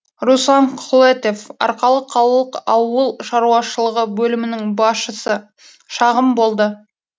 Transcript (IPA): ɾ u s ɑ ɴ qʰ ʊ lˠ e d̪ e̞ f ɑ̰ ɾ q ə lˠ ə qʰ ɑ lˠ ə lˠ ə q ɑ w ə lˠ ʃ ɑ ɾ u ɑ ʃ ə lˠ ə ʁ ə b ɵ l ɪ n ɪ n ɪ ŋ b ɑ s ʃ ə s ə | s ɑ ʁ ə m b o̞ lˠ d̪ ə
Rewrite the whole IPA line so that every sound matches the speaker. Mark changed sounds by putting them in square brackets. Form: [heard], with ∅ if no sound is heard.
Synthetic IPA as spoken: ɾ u s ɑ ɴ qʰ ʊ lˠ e [t̪] e̞ f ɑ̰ ɾ q [ɑ] lˠ ə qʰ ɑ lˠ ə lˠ ə q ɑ w ə lˠ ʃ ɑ ɾ u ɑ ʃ ə lˠ ə ʁ ə b ɵ l ɪ [m] ɪ n ɪ ŋ b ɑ s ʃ ə s ə | [ʃ] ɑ ʁ ə m b o̞ lˠ d̪ ə